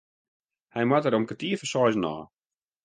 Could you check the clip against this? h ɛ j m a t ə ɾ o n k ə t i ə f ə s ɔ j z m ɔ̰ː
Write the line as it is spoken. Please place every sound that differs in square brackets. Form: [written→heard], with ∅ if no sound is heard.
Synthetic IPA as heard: h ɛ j m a t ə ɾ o [n→m] k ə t i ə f ə s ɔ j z [m→n] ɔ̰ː